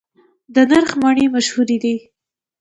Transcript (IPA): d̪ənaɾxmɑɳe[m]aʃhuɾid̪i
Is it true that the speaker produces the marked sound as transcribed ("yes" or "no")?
yes